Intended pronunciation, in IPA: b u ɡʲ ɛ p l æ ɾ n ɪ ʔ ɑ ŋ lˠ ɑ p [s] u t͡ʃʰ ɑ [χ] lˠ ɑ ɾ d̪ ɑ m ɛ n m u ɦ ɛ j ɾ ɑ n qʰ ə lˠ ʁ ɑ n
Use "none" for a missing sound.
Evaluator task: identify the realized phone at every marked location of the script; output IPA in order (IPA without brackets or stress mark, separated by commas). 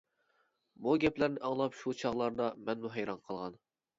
ʃ, ʁ